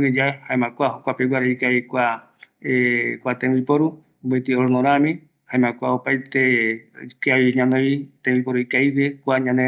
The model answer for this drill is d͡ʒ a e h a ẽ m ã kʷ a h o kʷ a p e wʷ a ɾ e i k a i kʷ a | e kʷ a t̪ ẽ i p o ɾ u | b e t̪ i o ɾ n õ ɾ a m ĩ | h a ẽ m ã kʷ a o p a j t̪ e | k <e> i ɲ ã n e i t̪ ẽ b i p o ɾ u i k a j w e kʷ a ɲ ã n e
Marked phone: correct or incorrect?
incorrect